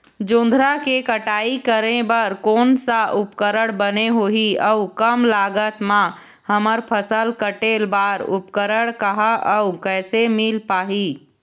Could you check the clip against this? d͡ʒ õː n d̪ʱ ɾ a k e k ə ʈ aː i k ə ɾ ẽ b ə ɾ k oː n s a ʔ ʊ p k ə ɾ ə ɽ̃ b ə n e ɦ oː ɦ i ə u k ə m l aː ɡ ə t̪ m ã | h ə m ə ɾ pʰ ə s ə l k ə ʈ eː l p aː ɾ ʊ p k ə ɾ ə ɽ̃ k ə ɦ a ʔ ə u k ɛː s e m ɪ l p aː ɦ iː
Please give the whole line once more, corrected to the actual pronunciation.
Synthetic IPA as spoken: d͡ʒ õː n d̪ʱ ɾ a k e k ə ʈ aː i k ə ɾ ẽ b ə ɾ k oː n s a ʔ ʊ p k ə ɾ ə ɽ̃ b ə n e ɦ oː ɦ i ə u k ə m l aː ɡ ə t̪ m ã | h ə m ə ɾ pʰ ə s ə l k ə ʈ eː l b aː ɾ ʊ p k ə ɾ ə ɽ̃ k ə ɦ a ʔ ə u k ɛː s e m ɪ l p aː ɦ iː